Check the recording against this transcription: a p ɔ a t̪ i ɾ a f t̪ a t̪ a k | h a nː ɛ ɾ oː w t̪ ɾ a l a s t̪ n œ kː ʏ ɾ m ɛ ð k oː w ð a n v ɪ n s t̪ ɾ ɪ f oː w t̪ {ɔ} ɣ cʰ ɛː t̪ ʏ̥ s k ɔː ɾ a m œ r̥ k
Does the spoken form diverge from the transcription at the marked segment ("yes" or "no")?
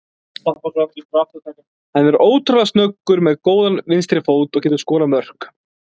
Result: no